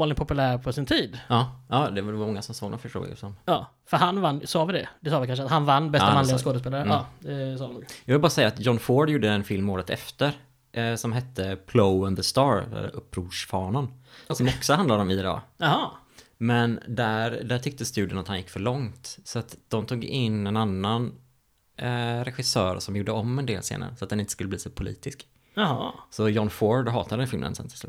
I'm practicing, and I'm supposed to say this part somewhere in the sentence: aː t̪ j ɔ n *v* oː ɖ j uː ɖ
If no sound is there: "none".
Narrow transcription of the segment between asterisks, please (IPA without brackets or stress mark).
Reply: f